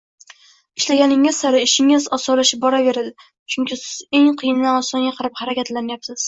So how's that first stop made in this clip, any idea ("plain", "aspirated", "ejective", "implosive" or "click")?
plain